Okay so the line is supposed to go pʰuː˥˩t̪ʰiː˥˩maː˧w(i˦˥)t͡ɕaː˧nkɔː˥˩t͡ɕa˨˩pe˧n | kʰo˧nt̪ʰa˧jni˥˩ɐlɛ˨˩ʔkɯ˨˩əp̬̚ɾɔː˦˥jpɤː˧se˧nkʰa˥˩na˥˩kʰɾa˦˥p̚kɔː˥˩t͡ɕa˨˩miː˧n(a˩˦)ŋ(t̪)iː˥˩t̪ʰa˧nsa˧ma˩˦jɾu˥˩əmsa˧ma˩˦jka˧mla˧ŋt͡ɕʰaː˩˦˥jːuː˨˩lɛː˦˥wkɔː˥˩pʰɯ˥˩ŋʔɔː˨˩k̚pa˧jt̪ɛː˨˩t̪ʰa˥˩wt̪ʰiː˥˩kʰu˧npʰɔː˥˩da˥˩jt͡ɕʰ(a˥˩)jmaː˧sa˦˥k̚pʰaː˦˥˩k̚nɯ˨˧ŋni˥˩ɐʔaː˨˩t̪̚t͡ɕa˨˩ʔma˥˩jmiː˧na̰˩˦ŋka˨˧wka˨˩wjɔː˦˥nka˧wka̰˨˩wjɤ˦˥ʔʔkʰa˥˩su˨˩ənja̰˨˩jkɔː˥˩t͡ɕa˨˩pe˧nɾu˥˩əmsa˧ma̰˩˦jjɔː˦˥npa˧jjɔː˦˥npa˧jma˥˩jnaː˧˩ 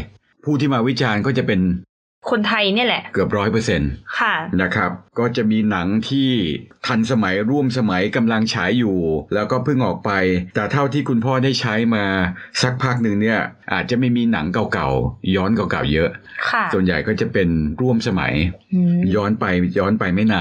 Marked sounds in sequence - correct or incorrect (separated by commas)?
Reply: correct, correct, incorrect, incorrect